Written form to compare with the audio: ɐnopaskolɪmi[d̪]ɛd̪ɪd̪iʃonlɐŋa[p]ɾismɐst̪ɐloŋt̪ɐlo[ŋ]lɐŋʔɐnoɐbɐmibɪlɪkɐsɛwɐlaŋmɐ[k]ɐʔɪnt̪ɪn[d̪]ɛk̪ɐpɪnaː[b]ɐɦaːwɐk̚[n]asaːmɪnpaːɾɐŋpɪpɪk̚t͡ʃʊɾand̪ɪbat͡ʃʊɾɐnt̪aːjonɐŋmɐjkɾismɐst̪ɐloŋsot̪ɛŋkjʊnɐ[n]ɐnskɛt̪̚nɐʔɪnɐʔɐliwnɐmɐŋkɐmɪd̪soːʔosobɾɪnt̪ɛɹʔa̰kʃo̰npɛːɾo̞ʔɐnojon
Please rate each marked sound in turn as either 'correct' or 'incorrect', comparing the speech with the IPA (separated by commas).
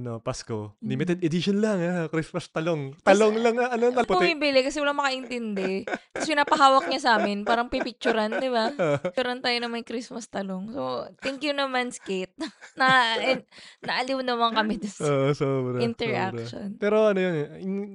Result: incorrect, incorrect, correct, correct, correct, incorrect, incorrect, incorrect